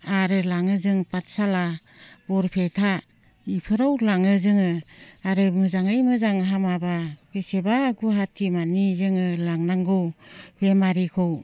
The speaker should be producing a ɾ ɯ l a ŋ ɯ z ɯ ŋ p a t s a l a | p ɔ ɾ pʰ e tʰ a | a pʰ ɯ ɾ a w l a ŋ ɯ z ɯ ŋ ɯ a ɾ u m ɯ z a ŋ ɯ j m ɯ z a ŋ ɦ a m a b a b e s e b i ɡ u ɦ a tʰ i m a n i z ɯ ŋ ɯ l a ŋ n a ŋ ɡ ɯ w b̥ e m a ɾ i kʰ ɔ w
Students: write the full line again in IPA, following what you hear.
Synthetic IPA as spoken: a ɾ ɯ l a ŋ ɯ z ɯ ŋ p a t s a l a | b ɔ ɾ pʰ e tʰ a | i pʰ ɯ ɾ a w l a ŋ ɯ z ɯ ŋ ɯ a ɾ ɯ m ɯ z a ŋ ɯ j m ɯ z a ŋ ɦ a m a b a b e s e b a ɡ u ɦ a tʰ i m a n i z ɯ ŋ ɯ l a ŋ n a ŋ ɡ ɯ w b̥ e m a ɾ i kʰ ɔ w